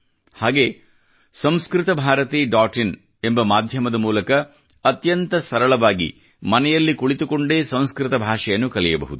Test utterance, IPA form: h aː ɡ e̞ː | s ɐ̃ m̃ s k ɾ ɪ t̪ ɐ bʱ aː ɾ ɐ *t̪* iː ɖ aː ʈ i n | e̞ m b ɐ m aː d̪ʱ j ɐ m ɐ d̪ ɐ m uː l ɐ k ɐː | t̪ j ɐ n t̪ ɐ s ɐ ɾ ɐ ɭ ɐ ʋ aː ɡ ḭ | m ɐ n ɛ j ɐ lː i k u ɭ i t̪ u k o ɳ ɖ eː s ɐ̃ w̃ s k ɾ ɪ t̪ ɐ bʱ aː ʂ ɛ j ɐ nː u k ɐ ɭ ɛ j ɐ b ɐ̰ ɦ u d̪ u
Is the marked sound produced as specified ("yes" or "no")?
yes